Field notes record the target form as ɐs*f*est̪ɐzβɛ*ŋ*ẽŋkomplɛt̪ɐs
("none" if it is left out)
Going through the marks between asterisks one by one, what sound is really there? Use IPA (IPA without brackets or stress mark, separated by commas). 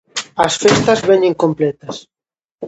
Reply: f, ɲ